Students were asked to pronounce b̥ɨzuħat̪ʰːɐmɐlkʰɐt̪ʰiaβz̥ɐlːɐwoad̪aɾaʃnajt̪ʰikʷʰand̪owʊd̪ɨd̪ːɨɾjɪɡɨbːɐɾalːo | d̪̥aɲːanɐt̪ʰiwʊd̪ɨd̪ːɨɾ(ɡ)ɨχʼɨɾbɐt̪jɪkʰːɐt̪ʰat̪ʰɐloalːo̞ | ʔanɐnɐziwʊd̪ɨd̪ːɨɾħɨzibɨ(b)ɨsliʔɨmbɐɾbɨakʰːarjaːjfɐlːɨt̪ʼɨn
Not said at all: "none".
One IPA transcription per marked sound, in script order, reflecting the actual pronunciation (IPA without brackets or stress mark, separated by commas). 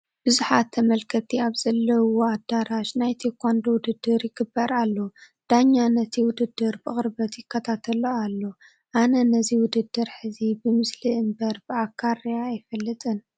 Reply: b, m